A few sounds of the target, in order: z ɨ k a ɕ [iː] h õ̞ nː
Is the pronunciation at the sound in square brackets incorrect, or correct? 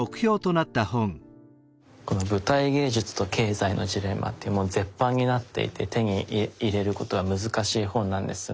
correct